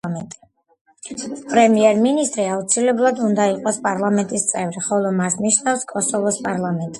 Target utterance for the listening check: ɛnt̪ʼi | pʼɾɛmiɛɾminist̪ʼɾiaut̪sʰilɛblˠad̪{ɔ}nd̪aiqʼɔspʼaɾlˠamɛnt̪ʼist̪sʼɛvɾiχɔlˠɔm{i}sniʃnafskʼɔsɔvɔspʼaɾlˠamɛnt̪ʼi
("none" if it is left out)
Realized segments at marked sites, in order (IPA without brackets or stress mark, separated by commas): u, a